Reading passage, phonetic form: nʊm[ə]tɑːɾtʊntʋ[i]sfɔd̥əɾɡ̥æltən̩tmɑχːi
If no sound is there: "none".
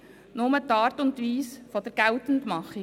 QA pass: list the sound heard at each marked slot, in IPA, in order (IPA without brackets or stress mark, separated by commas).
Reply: ə, iː